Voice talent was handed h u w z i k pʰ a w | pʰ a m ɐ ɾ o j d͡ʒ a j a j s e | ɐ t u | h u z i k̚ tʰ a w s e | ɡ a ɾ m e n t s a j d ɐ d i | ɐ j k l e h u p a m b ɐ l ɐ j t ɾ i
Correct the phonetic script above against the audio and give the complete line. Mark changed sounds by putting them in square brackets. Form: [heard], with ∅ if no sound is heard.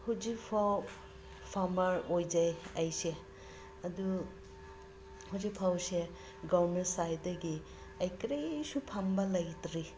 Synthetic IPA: h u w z i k pʰ a w | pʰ a m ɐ ɾ o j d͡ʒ a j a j s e | ɐ [d] u | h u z i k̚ [pʰ] a w s e | ɡ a ɾ m e n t s a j d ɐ [ɡ] i | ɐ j k [ɾ] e [s] u [pʰ] a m b ɐ l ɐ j t ɾ i